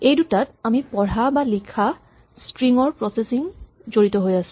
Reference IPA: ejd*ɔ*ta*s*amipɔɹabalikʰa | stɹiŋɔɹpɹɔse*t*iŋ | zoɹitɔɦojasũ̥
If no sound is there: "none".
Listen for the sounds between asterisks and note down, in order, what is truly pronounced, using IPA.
u, t, s

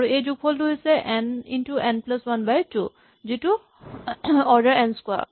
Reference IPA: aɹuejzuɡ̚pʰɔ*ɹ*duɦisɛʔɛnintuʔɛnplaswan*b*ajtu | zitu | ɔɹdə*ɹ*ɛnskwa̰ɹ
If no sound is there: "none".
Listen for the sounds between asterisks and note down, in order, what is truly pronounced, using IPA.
l, b, ɹ

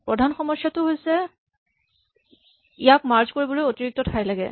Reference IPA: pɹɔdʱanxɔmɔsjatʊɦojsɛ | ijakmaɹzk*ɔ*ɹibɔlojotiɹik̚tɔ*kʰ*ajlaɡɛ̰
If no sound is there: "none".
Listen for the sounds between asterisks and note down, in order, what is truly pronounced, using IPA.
o, tʰ

